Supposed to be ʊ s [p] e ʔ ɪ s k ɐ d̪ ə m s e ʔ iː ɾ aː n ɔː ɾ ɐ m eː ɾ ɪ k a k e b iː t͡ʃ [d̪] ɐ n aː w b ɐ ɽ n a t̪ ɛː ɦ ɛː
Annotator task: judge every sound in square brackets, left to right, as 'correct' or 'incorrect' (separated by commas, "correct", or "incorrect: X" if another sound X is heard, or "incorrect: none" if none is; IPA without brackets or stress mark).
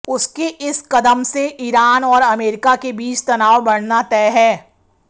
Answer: incorrect: k, incorrect: t̪